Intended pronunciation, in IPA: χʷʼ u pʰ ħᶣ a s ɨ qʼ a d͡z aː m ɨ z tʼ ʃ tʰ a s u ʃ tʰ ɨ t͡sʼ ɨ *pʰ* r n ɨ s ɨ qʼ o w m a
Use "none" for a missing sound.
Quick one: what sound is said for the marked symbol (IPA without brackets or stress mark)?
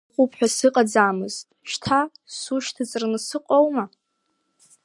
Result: none